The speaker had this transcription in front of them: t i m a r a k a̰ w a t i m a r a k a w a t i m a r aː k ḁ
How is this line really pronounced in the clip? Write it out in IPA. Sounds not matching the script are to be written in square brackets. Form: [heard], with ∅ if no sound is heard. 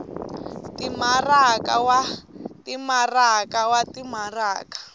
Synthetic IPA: t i m a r a k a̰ w a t i m a r a k a w a t i m a r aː k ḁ